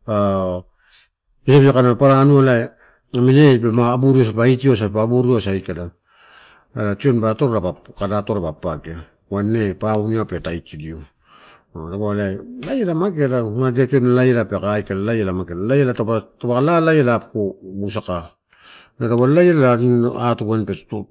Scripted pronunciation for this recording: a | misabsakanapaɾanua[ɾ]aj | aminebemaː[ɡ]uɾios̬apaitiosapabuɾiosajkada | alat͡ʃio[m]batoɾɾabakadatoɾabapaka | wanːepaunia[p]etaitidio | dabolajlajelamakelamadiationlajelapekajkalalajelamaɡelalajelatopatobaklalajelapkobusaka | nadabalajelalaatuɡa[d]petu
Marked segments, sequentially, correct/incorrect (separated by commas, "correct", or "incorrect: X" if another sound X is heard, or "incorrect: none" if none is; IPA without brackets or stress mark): incorrect: l, incorrect: b, incorrect: n, correct, incorrect: n